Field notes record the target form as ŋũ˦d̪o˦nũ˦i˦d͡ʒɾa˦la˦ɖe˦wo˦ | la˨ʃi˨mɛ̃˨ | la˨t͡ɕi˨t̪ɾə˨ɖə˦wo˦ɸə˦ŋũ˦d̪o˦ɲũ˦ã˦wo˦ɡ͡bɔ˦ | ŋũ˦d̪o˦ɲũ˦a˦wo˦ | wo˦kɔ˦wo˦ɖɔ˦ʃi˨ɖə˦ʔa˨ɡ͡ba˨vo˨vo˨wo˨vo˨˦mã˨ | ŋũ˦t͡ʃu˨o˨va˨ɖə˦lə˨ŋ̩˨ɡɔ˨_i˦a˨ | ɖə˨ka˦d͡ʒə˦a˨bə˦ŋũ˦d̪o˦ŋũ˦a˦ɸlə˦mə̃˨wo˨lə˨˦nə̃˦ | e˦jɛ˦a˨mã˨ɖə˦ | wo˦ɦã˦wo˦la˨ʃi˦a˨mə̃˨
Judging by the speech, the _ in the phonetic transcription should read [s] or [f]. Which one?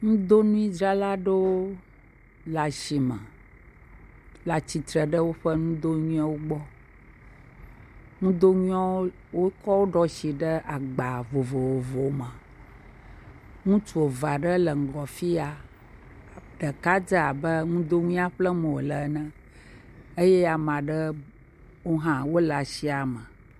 f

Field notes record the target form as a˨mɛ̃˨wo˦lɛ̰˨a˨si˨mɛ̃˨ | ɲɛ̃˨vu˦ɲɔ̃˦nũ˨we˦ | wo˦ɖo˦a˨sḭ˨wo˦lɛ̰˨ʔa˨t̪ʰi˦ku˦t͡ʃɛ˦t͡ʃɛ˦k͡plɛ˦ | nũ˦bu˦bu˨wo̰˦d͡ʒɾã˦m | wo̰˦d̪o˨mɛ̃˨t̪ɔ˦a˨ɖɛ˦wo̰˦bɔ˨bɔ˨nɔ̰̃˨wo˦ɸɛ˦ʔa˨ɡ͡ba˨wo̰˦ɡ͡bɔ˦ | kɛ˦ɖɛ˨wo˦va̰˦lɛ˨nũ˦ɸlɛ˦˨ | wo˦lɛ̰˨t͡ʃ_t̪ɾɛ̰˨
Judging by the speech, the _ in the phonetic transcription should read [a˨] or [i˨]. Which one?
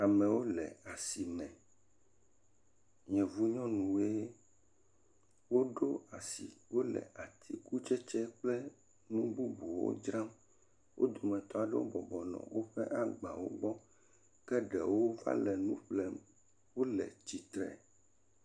i˨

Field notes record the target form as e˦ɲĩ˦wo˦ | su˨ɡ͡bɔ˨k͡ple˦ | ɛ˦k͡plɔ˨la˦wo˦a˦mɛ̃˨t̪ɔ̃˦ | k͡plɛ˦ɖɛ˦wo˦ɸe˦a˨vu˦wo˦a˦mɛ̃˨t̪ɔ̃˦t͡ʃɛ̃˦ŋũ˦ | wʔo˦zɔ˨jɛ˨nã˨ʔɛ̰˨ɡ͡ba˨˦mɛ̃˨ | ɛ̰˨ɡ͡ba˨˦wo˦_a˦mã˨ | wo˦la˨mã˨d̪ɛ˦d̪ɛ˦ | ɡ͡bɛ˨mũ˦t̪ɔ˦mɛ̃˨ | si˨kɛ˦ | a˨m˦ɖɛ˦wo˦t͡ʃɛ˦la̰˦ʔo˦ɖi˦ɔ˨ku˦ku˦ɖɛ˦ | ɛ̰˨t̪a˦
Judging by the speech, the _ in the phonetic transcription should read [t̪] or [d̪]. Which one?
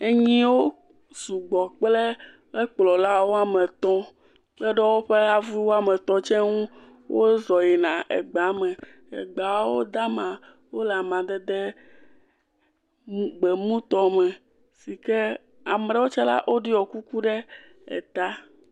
d̪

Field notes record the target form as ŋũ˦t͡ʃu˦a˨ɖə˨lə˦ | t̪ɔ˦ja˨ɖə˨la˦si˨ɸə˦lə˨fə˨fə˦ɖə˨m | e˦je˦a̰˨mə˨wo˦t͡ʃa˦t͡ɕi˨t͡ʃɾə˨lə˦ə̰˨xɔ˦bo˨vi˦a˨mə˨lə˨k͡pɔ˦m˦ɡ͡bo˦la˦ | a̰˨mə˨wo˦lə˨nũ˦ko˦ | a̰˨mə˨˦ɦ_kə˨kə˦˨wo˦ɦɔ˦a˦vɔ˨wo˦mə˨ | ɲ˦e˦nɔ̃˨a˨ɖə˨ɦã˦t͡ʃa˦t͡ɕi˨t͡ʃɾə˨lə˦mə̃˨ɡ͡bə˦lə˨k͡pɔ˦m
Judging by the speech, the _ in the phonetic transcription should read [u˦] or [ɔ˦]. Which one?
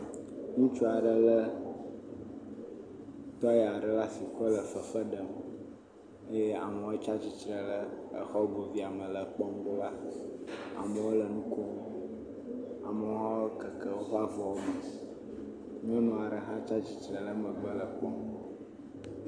ɔ˦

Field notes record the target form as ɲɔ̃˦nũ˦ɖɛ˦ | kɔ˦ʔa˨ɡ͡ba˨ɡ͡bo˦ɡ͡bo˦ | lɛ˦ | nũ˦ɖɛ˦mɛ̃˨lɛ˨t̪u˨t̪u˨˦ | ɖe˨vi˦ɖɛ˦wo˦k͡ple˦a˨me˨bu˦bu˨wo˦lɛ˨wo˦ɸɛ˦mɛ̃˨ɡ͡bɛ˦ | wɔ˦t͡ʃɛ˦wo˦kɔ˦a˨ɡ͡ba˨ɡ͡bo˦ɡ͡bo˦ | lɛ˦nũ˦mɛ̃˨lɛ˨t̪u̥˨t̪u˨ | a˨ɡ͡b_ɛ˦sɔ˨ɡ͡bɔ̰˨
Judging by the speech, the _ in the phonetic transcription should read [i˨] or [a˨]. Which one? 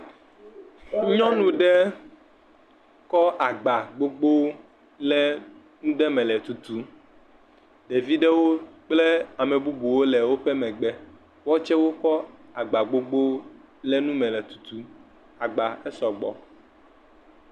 a˨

